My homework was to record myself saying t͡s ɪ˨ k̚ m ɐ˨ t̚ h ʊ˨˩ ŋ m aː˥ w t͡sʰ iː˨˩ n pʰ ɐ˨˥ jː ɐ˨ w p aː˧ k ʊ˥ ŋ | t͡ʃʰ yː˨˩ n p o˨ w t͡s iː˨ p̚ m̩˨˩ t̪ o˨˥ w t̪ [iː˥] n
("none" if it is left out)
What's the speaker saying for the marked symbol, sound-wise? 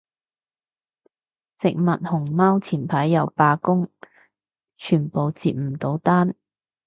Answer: aː˥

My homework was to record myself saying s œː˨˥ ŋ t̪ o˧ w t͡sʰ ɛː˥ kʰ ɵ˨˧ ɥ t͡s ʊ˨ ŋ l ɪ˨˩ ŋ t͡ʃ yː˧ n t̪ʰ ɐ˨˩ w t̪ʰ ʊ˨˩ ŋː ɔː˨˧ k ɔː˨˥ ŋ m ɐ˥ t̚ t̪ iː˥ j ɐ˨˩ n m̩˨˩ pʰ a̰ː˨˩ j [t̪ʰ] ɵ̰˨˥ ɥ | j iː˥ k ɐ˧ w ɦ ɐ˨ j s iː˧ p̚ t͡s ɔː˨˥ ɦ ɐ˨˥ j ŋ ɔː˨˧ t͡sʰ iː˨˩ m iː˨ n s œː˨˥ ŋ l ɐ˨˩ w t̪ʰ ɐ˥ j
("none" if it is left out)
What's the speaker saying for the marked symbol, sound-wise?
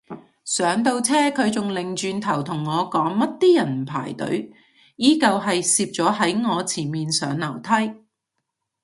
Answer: t̪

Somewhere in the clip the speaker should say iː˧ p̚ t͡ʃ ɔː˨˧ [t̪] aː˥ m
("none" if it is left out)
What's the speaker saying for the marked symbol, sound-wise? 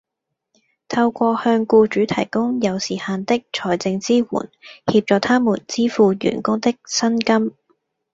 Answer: t̪ʰ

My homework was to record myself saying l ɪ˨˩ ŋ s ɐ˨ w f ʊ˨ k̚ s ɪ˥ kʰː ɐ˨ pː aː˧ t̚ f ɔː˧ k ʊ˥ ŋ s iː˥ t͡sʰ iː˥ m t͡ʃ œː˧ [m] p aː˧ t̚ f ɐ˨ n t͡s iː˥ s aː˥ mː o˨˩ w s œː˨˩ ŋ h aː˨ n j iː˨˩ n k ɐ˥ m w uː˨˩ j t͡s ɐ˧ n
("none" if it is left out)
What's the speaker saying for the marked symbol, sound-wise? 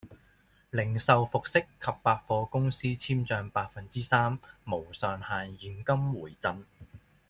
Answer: ŋ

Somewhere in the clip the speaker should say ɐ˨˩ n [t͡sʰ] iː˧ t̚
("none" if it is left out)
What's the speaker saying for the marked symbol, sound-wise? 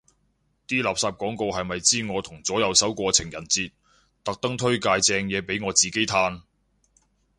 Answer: t͡s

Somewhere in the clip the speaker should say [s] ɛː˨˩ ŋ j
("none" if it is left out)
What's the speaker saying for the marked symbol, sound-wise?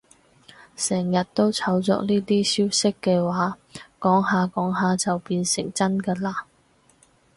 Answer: s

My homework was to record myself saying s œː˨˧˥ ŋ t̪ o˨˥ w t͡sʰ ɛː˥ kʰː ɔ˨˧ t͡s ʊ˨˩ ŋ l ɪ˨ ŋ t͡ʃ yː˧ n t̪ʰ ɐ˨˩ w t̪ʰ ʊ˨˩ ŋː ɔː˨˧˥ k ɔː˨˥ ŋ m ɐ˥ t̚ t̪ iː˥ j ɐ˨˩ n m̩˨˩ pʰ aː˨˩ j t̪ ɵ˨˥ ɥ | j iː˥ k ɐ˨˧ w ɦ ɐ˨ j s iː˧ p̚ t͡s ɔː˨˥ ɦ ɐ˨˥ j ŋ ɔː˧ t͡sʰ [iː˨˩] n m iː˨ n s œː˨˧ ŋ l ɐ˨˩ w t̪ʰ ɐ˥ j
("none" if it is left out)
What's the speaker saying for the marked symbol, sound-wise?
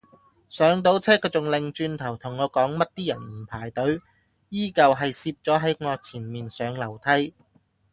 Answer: iː˨˩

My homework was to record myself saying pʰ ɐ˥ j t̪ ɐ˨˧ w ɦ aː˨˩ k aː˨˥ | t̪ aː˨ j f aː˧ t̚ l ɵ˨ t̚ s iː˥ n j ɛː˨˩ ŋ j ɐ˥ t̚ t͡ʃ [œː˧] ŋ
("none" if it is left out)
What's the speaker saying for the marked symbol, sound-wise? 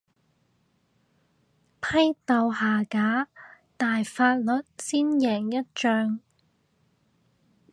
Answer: œː˧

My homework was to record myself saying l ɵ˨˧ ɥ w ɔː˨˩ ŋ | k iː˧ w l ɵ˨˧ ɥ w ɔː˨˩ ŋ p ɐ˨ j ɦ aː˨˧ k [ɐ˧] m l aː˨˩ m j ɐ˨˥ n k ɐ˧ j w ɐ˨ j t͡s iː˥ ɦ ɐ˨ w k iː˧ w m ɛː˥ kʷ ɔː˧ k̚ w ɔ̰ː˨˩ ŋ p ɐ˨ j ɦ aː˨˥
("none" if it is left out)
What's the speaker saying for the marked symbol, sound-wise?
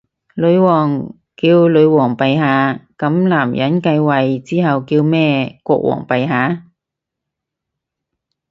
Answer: ɐ˨˥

